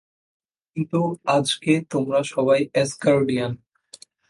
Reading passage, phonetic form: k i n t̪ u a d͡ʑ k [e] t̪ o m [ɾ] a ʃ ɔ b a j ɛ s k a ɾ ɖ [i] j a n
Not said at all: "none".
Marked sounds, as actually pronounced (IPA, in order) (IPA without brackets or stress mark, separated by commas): e, ɾ, i